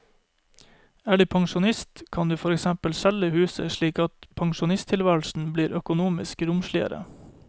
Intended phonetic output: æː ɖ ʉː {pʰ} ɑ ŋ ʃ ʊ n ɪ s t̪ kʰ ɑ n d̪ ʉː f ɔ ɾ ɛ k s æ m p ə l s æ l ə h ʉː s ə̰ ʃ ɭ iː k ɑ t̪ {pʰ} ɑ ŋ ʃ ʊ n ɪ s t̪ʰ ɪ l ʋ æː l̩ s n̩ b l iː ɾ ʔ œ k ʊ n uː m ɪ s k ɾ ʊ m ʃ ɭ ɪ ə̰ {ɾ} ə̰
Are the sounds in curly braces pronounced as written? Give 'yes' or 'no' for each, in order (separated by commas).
yes, yes, yes